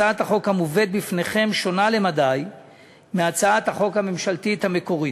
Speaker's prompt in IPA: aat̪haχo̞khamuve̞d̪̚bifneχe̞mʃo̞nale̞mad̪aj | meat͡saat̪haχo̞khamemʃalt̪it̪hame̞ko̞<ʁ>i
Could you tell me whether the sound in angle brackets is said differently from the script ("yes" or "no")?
no